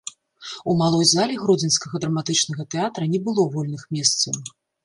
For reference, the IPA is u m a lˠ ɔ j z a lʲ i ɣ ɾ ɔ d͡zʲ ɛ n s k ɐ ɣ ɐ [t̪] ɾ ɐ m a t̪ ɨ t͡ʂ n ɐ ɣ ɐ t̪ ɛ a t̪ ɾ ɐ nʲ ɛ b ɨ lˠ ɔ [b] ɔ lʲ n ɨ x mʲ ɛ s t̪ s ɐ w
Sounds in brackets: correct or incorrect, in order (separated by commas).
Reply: incorrect, incorrect